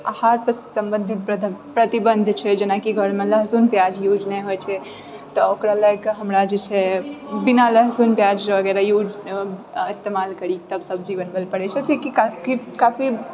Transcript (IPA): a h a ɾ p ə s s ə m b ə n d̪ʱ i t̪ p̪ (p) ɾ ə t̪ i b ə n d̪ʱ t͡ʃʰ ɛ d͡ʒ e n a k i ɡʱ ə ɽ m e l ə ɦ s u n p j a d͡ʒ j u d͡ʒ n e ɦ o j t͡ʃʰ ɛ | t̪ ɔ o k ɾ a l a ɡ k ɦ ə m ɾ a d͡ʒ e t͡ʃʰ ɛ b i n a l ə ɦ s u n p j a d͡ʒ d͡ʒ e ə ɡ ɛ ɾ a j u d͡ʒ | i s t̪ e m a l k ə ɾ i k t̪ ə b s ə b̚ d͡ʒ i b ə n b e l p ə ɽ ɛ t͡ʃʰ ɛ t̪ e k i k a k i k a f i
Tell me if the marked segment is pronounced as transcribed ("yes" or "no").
yes